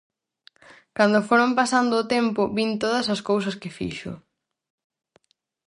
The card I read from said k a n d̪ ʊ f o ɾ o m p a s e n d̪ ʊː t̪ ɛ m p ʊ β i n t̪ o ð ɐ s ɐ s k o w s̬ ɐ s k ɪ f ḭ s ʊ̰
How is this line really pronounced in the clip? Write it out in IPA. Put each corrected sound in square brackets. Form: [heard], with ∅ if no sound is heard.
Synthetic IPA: k a n d̪ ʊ f o ɾ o m p a s [a] n d̪ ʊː t̪ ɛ m p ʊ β i n t̪ o ð ɐ s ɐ s k o w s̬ ɐ s k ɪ f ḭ [ʃ] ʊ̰

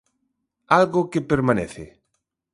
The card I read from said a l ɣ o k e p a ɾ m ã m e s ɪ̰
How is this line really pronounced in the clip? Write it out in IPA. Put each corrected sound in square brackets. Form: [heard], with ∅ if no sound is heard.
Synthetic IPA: a l ɣ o k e p [e] ɾ m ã [n] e [θ] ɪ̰

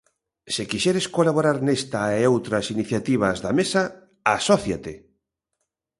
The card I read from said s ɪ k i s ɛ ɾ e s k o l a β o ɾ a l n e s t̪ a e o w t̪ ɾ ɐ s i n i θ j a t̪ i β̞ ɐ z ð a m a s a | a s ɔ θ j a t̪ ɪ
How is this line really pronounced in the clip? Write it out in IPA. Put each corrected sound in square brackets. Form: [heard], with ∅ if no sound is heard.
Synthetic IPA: s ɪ k i [ʃ] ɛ ɾ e s k o l a β o ɾ a [ɾ] n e s t̪ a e o w t̪ ɾ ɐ s i n i θ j a t̪ i β̞ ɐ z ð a m [e] s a | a s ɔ θ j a t̪ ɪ

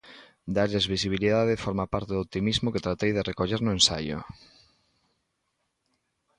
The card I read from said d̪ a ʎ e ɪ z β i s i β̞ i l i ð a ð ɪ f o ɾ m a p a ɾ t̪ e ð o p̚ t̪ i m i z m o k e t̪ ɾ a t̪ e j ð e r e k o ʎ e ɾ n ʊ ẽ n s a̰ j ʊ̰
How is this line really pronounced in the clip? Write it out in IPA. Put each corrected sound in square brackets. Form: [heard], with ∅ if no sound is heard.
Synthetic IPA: d̪ a ʎ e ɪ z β i s i β̞ i l i ð a ð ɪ f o ɾ m a p a ɾ t̪ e ð o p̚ t̪ i m i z m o k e t̪ ɾ a t̪ e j ð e r e k o ʎ e ɾ n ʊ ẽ n s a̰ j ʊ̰

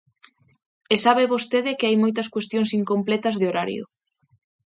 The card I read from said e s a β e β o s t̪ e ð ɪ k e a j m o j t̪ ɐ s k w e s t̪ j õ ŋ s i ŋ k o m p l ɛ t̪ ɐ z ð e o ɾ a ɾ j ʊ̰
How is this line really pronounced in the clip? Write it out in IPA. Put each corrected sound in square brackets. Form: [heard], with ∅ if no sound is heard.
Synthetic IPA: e s a β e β o s t̪ e ð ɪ k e a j m o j t̪ ɐ s k w e s t̪ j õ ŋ s i ŋ k o m p l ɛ t̪ ɐ z ð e o ɾ a ɾ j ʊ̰

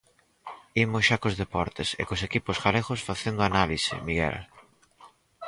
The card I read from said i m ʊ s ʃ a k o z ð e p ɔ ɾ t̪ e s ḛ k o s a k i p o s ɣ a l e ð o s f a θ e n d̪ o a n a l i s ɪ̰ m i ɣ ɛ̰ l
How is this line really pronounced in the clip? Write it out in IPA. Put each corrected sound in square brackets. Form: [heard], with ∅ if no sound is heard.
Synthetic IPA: i m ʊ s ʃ a k o z ð e p ɔ ɾ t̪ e s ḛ k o s [e] k i p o s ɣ a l e [ɣ] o s f a θ e n d̪ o a n a l i s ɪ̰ m i ɣ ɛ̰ l

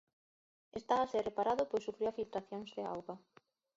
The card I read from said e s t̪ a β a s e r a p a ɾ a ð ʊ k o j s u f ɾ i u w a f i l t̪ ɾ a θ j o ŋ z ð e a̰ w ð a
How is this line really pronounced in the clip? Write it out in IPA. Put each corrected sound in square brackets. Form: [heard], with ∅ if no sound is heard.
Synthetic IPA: e s t̪ a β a s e r [e] p a ɾ a ð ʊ [p] o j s u f ɾ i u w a f i l t̪ ɾ a θ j o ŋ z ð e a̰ w [ɣ] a

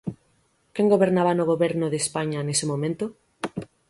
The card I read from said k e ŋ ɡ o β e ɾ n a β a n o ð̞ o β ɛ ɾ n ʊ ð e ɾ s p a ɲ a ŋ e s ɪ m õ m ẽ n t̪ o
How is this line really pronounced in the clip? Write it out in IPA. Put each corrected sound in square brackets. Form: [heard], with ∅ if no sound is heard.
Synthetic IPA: k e ŋ ɡ o β e ɾ n a β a n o [ɣ̞] o β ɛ ɾ n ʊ ð e [∅] s p a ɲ a [n] e s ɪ m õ m ẽ n t̪ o

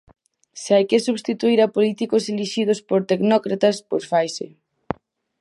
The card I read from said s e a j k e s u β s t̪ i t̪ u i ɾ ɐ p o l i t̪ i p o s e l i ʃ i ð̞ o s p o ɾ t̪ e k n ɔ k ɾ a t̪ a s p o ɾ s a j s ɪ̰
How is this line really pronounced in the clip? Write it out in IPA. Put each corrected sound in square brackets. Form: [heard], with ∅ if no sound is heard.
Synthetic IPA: s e a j k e s u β s t̪ i t̪ u i ɾ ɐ p o l i t̪ i [k] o s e l i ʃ i ð̞ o s p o ɾ t̪ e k n ɔ k ɾ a t̪ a s p o ɾ [f] a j s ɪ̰

